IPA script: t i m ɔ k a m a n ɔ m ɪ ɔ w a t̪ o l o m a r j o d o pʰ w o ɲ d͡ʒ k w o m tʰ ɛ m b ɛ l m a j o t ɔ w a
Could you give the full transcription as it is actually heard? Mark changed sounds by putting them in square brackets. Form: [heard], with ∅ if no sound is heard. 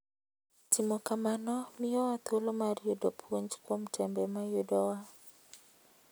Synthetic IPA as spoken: t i m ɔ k a m a n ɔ m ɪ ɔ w a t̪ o l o m a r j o d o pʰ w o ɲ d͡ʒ k w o m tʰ ɛ m b ɛ [∅] m a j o [d] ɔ w a